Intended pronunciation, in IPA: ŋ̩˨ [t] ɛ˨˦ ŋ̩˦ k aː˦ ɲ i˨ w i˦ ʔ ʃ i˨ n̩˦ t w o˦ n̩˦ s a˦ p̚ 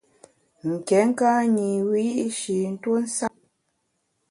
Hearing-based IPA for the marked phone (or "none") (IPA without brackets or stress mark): k